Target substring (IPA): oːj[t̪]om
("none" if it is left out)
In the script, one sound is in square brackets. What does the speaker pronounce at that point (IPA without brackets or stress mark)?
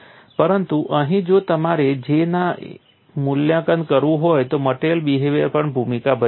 t̪